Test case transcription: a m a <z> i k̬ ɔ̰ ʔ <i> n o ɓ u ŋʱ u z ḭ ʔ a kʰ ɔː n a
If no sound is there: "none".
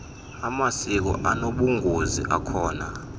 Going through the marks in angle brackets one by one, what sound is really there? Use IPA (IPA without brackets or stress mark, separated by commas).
s, a